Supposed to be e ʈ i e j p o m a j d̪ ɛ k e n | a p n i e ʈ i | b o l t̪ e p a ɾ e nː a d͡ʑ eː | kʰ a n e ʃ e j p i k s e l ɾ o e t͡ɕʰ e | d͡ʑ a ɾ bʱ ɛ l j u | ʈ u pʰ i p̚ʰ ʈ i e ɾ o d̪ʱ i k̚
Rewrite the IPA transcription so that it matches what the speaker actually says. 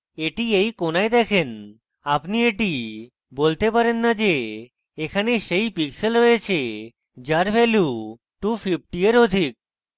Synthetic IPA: e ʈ i e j k o n a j d̪ ɛ kʰ e n | a p n i e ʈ i | b o l t̪ e p a ɾ e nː a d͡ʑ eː | kʰ a n e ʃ e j p i k s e l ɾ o e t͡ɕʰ e | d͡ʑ a ɾ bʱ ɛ l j u | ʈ u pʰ i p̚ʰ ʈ i e ɾ o d̪ʱ i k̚